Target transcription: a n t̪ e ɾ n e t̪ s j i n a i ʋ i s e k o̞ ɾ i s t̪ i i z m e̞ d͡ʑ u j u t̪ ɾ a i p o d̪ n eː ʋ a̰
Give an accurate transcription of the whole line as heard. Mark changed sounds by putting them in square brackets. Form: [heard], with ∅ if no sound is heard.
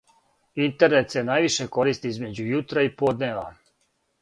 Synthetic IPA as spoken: [i] n t̪ e ɾ n e t̪ s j [e] n a [j] ʋ i [ʃ] e k o̞ ɾ i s t̪ i i z m e̞ d͡ʑ u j u t̪ ɾ a i p o d̪ n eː ʋ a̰